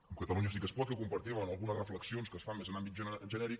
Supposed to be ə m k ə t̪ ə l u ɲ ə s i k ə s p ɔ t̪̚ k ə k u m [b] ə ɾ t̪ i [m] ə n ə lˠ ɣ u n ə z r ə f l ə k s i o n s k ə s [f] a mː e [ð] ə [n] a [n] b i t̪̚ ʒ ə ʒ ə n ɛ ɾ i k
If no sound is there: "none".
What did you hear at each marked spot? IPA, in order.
p, m, f, z, n, m

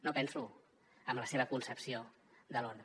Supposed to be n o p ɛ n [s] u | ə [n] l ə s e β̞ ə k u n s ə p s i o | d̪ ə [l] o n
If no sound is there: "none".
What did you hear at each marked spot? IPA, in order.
s, m, l

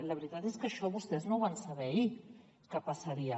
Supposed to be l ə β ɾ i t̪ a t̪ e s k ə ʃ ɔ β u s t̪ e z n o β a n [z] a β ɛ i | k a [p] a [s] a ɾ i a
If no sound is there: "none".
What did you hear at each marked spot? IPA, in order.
s, p, s

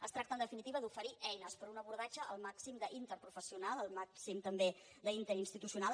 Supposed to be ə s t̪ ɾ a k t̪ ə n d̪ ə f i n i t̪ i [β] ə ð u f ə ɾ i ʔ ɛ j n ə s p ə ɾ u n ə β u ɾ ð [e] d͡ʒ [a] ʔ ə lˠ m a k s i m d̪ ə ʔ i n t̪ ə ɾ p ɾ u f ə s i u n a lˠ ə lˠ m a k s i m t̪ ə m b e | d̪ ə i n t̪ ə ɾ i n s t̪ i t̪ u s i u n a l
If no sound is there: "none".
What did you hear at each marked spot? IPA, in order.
β, a, ə

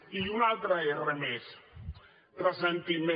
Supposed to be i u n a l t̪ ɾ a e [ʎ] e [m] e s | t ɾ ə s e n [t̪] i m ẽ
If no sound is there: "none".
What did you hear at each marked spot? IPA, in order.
r, m, t̪

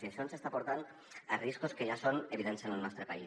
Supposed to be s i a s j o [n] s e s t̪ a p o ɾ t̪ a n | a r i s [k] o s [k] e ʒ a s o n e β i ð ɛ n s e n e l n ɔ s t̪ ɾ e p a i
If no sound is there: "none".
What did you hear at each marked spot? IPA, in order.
n, k, k

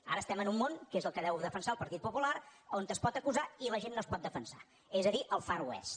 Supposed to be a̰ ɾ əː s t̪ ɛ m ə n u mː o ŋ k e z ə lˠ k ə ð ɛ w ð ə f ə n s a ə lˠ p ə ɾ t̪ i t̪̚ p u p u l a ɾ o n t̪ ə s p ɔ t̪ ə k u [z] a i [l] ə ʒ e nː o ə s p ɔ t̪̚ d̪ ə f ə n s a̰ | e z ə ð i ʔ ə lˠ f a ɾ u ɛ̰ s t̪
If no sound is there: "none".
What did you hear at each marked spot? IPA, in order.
z, l

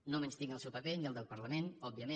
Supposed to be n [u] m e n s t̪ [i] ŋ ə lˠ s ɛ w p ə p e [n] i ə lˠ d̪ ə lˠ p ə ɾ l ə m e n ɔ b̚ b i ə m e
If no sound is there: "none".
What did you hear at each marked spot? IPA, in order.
o, i, n

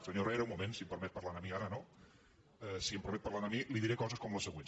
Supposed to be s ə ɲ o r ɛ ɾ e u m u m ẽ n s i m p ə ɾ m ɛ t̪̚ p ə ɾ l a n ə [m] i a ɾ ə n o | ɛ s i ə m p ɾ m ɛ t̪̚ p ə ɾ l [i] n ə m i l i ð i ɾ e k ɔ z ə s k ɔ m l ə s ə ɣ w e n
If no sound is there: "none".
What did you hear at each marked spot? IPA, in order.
m, a

